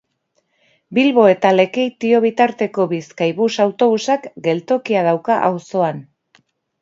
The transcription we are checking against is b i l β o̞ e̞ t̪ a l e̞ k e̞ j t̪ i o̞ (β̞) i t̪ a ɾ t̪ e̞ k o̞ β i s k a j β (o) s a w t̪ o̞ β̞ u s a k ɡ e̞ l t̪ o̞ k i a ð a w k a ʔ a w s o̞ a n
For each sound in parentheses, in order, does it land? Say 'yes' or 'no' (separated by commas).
yes, no